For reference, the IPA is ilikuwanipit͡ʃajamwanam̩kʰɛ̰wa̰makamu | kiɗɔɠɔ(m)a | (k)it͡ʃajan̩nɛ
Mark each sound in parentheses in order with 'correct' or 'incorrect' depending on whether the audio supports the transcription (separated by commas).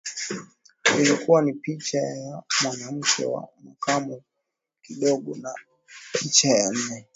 incorrect, incorrect